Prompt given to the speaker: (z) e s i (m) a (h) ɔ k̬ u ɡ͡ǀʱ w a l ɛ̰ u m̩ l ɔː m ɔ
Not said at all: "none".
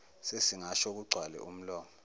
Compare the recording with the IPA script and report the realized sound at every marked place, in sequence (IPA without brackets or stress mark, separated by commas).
s, ŋ, ʃ